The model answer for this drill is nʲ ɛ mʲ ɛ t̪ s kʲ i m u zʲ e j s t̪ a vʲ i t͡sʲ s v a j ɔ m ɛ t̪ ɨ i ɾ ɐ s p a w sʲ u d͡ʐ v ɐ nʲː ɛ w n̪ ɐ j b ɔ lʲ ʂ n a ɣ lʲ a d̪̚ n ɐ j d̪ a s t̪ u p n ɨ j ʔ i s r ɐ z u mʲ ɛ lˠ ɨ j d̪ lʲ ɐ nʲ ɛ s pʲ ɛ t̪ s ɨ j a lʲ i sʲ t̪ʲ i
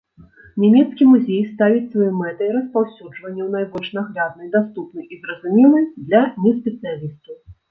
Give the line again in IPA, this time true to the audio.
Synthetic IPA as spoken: nʲ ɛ mʲ ɛ t̪ s kʲ i m u zʲ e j s t̪ a vʲ i t͡sʲ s v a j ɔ m ɛ t̪ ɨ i ɾ ɐ s p a w sʲ u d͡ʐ v ɐ nʲː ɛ w n̪ a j b ɔ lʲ ʂ n a ɣ lʲ a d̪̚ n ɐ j d̪ a s t̪ u p n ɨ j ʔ i z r ɐ z u mʲ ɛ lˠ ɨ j d̪ lʲ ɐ nʲ ɛ s pʲ ɛ t̪ s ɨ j a lʲ i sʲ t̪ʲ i